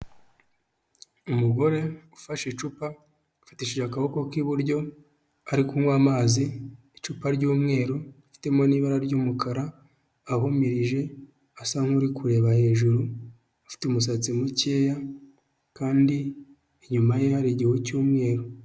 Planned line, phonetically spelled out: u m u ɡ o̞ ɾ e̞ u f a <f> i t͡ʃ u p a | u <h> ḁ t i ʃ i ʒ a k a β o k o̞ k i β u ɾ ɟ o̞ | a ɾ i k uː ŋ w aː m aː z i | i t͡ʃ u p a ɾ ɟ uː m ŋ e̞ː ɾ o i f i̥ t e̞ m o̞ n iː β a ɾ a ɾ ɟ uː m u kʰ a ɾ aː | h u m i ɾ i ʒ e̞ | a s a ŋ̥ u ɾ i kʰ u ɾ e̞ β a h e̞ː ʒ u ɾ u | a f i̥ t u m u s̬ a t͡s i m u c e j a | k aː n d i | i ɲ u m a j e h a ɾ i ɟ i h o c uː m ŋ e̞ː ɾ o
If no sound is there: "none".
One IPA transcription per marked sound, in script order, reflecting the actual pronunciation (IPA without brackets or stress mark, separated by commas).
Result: ʃ, f